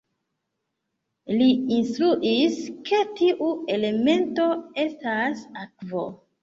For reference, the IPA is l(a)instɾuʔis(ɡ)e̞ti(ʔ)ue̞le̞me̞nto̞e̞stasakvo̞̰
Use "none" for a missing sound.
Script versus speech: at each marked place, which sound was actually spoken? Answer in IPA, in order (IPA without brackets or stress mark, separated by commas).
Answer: i, k, ʔ